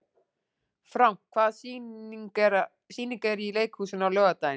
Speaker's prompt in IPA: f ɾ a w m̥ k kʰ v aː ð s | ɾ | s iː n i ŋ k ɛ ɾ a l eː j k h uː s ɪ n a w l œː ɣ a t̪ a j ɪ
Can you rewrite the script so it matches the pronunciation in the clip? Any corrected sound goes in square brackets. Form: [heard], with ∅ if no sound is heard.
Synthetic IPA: f ɾ a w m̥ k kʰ v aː ð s | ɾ | s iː n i ŋ k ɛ ɾ [i] l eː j k h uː s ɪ n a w l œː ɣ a t̪ a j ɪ